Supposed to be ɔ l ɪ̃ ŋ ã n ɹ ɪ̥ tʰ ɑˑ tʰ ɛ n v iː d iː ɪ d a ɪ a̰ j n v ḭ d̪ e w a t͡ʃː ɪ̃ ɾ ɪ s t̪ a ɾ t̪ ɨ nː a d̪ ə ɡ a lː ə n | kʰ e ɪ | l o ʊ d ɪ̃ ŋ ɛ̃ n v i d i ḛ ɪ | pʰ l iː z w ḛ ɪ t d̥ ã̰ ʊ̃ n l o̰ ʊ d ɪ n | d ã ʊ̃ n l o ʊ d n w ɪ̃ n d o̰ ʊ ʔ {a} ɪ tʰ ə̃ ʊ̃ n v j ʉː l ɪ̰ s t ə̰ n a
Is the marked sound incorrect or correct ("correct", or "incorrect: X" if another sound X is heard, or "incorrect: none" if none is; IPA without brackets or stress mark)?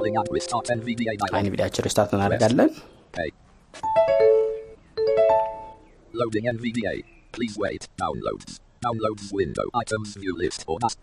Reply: correct